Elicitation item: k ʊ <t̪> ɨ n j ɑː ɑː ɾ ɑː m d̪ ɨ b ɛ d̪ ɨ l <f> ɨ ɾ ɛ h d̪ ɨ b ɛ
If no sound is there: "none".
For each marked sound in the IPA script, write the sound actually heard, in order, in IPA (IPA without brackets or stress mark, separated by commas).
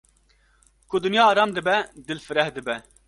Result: d̪, f